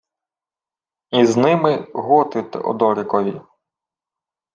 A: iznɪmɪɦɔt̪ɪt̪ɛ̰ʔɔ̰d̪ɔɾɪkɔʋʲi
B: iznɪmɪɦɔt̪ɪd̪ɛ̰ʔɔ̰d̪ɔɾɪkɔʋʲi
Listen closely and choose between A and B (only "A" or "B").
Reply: A